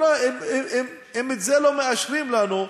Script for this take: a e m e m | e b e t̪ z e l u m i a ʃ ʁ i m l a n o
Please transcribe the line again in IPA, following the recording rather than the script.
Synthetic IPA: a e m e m | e m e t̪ z e l o m e a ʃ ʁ i m l a n u